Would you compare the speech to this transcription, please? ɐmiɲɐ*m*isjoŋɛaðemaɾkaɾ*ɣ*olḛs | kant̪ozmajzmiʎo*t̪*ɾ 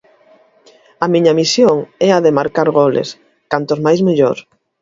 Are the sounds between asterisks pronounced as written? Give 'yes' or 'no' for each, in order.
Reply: yes, yes, no

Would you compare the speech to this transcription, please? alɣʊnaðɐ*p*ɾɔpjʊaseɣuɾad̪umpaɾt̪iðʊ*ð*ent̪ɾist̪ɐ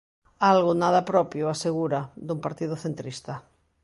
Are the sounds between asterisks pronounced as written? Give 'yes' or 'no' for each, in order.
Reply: yes, no

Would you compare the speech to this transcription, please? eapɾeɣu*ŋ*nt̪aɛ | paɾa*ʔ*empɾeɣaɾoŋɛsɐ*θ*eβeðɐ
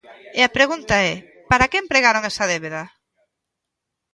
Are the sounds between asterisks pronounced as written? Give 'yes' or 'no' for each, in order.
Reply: no, no, no

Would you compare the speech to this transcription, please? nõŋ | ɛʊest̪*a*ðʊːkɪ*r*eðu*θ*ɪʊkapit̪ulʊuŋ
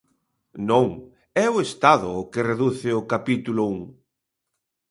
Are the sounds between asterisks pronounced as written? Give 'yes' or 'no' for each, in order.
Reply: yes, yes, yes

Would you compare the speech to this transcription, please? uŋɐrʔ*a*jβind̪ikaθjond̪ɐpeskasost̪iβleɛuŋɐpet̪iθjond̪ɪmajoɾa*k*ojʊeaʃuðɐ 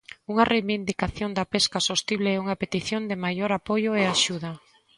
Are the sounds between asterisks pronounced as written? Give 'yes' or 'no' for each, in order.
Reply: no, no

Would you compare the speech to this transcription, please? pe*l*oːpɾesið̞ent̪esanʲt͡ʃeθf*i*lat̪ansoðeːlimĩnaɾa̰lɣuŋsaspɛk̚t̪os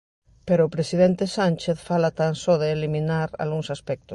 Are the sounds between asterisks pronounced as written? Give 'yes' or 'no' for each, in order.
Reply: no, no

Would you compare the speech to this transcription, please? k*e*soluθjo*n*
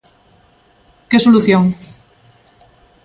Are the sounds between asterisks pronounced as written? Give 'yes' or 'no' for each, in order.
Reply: yes, no

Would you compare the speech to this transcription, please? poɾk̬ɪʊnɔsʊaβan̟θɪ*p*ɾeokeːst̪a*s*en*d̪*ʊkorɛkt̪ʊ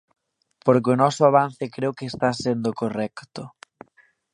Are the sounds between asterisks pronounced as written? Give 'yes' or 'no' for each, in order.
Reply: no, yes, yes

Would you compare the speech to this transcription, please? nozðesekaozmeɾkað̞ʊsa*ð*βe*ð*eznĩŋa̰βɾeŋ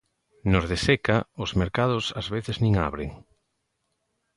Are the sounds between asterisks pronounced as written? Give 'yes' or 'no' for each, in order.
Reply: no, no

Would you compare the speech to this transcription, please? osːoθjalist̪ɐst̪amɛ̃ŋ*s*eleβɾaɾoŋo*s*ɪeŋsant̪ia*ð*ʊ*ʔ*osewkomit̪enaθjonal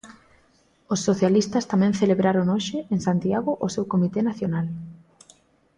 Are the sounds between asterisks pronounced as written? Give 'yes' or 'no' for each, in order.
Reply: no, no, no, yes

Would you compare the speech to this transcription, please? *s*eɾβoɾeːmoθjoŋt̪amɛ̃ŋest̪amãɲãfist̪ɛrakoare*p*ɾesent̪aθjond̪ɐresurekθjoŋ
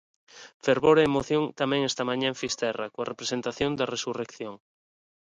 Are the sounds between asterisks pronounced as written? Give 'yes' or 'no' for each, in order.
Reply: no, yes

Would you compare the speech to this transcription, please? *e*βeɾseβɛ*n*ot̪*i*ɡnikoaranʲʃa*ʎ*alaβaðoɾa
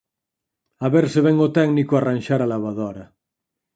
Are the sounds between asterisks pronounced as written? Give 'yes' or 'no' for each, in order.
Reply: no, no, no, no

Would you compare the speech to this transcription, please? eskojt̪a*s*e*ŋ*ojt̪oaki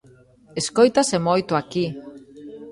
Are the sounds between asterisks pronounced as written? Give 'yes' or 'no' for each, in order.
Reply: yes, no

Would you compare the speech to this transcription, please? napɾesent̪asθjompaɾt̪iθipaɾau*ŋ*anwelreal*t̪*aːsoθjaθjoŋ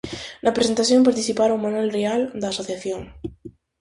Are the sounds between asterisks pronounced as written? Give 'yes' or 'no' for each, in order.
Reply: no, no

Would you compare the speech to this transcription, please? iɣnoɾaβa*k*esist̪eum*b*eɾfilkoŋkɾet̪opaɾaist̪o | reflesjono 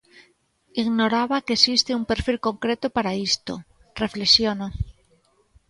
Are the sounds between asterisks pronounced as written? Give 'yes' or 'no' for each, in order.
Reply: yes, no

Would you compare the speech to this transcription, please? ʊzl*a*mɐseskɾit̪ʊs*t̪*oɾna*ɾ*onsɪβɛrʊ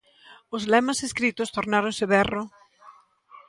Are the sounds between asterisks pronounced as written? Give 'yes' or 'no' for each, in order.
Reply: no, yes, yes

